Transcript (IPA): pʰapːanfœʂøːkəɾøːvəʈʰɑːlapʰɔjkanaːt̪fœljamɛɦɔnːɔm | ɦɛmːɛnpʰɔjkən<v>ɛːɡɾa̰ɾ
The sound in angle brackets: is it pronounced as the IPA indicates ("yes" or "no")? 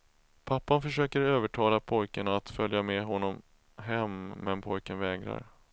yes